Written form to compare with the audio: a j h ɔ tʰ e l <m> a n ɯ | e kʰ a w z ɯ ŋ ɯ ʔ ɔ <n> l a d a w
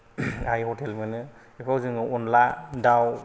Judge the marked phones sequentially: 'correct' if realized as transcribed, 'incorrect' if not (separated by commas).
correct, correct